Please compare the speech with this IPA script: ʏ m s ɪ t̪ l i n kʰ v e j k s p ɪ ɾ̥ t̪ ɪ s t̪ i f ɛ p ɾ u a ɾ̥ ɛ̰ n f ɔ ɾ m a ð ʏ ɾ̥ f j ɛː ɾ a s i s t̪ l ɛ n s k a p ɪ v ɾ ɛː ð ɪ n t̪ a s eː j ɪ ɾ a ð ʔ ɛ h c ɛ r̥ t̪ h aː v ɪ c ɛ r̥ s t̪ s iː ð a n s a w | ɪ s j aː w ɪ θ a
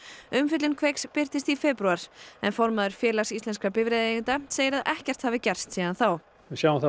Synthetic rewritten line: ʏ m f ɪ t̪ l ɪ n kʰ v e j k s p ɪ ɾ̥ t̪ ɪ s t̪ i f ɛ p ɾ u a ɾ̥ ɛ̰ n f ɔ ɾ m a ð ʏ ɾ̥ f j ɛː l a s i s t̪ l ɛ n s k a p ɪ v ɾ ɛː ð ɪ n t̪ a s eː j ɪ ɾ a ð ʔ ɛ h c ɛ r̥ t̪ h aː v ɪ c ɛ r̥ s t̪ s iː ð a n θ a w | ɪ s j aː w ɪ θ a